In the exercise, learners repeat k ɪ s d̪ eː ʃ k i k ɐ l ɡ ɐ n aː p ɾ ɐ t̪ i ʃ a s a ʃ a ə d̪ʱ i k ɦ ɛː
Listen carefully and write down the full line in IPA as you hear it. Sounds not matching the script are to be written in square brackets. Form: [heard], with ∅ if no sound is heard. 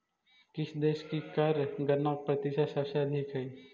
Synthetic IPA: k ɪ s d̪ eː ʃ k i k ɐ [ɾ] ɡ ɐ n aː p ɾ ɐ t̪ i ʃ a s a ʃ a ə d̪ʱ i k ɦ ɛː